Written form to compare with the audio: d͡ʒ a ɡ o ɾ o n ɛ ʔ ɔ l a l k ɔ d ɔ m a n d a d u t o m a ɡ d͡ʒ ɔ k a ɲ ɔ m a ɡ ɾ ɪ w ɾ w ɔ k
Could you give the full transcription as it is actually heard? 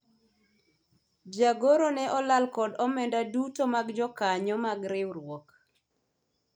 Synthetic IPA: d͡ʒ a ɡ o ɾ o n ɛ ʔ ɔ l a l k ɔ d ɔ m ɛ n d a d u t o m a ɡ d͡ʒ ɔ k a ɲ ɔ m a ɡ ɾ ɪ w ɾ w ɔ k